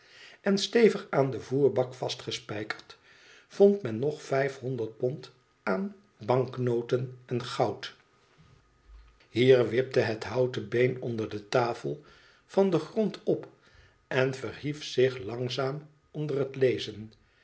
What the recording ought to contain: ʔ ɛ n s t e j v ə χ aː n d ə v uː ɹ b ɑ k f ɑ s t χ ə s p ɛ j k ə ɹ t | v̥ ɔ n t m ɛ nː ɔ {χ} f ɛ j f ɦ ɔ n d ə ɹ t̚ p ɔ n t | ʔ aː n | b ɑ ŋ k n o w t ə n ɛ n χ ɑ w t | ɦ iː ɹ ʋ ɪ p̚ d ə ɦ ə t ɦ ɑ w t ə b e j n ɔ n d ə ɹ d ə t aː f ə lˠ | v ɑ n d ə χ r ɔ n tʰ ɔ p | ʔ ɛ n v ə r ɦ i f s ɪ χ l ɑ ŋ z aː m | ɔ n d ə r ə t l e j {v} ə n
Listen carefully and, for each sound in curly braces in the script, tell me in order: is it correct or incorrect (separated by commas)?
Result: correct, incorrect